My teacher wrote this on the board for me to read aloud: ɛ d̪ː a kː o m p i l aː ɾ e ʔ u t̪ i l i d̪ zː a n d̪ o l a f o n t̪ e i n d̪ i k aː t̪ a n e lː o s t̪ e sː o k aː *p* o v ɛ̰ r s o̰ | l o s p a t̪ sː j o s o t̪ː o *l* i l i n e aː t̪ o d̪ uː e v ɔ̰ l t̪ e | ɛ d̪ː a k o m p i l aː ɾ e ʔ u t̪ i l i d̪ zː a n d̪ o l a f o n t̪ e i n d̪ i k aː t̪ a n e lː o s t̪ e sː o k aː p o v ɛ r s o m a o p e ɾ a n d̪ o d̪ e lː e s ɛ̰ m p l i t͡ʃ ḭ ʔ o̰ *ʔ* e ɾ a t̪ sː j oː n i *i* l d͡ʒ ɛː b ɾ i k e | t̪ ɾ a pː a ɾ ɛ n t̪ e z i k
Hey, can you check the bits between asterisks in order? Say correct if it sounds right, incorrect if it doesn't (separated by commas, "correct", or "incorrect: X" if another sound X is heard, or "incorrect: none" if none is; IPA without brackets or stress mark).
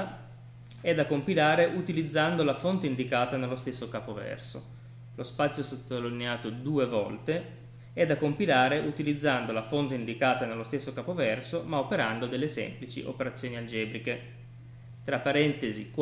correct, correct, incorrect: p, incorrect: a